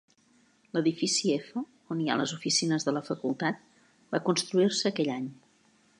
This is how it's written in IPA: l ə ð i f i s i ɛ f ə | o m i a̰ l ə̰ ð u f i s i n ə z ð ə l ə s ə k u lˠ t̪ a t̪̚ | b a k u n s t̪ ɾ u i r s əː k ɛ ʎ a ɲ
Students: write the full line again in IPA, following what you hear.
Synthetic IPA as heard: l ə ð i f i s i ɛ f ə | o n i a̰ l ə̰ z u f i s i n ə z ð ə l ə f ə k u lˠ t̪ a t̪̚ | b a k u n s t̪ ɾ u i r s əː k ɛ ʎ a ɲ